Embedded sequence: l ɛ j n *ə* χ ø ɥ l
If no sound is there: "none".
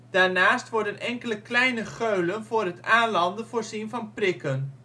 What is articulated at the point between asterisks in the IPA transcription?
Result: ə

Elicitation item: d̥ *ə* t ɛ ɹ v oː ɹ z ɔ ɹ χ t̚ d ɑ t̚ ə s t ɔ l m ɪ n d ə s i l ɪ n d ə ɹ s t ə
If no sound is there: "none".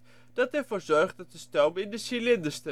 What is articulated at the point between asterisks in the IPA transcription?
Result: ɑ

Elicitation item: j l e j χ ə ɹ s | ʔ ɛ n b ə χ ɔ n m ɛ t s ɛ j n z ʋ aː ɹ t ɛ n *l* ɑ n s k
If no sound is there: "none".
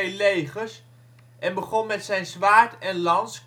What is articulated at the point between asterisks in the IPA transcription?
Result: l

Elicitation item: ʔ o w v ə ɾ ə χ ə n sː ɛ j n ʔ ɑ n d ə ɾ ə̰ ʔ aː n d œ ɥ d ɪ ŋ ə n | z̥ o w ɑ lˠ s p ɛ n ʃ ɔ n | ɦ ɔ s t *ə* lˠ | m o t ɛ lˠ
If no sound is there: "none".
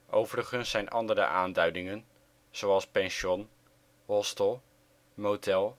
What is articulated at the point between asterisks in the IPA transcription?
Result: ə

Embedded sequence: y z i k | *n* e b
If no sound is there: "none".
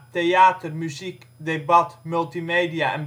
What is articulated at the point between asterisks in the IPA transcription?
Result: d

